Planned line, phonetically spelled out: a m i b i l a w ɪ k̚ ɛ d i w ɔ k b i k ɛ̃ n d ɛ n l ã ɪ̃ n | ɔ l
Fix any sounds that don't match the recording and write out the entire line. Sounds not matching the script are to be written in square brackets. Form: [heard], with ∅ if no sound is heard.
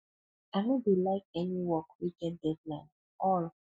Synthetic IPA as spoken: a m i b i l a [∅] ɪ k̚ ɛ [n] i w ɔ k [w] i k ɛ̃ n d ɛ [d] l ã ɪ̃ n | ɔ l

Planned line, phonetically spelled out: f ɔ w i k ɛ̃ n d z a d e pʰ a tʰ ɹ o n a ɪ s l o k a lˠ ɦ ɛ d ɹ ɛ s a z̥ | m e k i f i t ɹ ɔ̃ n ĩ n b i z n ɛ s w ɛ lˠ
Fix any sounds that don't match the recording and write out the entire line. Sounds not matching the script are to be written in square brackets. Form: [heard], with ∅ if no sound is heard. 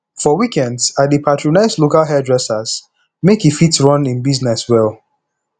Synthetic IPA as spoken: f ɔ w i k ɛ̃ n d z a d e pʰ a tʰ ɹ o n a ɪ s l o k a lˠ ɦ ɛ d ɹ ɛ s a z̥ | m e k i f i t ɹ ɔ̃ n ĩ n b i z n ɛ s w ɛ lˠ

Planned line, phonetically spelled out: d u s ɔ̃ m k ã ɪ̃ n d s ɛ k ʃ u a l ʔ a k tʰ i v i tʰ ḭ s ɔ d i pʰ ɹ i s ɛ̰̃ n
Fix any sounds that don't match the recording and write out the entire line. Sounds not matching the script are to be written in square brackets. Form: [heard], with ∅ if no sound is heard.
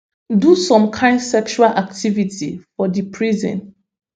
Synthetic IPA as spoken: d u s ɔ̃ m [kʰ] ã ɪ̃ n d s ɛ k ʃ u a l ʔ a k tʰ i v i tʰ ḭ [f] ɔ d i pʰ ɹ i [z] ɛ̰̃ n

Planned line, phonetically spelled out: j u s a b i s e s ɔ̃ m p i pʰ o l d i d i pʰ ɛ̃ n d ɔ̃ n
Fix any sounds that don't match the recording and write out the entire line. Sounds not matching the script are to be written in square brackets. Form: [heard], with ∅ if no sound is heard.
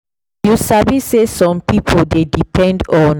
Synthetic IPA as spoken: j u s a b i s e s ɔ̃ m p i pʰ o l d [e] d i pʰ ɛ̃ n d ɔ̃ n

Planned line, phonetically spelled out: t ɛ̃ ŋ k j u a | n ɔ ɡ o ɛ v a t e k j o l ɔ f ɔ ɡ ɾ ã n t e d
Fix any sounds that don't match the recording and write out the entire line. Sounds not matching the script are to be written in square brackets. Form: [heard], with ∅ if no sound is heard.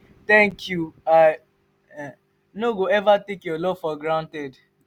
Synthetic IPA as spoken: t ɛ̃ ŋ k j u a | n [o] ɡ o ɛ v a t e k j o l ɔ f ɔ ɡ ɾ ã n t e d

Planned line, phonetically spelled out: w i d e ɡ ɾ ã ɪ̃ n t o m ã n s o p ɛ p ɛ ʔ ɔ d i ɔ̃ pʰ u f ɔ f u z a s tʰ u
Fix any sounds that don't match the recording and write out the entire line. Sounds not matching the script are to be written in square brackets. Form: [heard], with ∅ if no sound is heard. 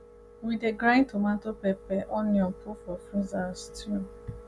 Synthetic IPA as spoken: w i d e ɡ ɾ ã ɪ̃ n t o m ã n [t] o p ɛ p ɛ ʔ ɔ [n] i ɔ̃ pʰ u f ɔ f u z a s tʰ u

